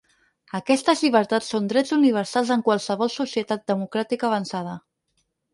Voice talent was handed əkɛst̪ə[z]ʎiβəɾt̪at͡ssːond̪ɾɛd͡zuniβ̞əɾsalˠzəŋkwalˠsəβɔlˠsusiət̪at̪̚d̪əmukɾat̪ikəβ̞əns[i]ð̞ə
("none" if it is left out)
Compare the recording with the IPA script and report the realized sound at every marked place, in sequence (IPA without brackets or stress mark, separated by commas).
z, a